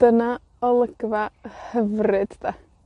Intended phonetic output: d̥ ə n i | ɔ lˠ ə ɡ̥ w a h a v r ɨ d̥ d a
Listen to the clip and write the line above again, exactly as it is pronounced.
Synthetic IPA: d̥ ə n a | ɔ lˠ ə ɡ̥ v a h ə v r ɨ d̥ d a